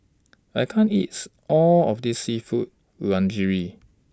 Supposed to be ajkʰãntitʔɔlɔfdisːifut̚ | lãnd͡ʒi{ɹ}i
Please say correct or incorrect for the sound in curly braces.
correct